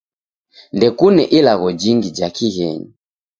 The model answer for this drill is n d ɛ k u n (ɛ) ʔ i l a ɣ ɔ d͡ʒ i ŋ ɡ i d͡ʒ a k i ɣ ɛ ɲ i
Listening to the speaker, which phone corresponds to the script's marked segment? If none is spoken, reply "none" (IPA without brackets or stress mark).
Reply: ɛ